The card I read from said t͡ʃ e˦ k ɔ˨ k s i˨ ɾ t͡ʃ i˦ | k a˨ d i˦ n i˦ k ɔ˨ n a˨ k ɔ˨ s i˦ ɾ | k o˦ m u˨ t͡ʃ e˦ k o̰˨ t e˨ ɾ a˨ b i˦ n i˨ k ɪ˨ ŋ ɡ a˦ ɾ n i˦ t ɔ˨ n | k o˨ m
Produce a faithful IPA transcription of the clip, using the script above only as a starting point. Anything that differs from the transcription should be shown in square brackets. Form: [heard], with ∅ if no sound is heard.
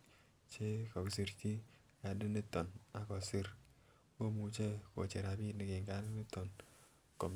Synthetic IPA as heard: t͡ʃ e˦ k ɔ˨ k s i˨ ɾ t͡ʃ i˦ | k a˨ d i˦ n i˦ [t] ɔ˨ n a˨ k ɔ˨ s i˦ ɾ | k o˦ m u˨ t͡ʃ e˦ k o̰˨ [t͡ʃ] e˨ ɾ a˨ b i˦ n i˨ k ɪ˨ ŋ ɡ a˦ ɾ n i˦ t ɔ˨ n | k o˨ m